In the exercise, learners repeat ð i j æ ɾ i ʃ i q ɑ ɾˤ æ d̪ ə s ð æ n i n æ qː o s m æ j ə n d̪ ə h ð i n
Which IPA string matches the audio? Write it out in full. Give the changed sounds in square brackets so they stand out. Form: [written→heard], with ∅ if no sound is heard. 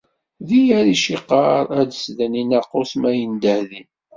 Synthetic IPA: ð i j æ ɾ i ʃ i q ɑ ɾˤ æ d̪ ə s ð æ n i n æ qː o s m æ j ə n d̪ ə h ð i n